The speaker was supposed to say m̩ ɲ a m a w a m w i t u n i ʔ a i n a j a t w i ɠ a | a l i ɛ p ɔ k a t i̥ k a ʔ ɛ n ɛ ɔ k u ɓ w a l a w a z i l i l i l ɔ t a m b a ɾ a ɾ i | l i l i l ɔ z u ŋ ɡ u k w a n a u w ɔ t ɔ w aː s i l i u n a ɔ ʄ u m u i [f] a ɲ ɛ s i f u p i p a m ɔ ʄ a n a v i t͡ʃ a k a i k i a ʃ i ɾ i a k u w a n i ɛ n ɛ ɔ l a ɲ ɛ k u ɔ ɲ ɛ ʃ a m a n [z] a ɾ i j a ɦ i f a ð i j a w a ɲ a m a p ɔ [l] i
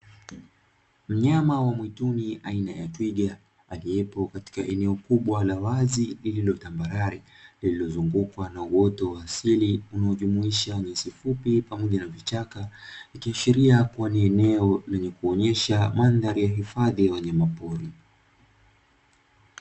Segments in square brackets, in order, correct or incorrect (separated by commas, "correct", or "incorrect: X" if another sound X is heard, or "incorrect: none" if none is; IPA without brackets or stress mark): incorrect: ʃ, incorrect: ð, incorrect: ɾ